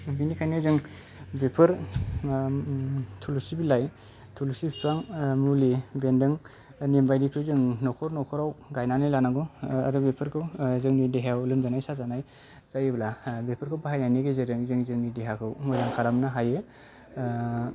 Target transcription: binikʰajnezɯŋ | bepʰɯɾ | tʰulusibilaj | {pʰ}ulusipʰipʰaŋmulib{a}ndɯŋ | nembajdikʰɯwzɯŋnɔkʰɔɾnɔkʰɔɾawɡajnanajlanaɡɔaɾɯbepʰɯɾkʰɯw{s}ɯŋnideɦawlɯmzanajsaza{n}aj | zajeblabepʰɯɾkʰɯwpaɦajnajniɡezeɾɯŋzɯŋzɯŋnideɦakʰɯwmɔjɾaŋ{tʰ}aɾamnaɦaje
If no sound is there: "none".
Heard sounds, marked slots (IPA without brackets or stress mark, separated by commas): tʰ, e, z, n, kʰ